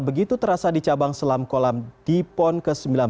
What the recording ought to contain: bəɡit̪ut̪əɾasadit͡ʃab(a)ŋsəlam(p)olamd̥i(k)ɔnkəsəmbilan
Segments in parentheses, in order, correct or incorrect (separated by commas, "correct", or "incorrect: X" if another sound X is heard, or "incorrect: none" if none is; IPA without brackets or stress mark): correct, incorrect: k, incorrect: p